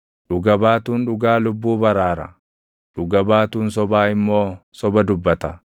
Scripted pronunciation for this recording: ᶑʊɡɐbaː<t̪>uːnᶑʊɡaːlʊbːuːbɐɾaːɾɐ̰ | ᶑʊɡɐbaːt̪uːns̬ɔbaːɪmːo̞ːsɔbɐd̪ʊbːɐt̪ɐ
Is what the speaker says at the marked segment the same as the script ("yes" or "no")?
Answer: yes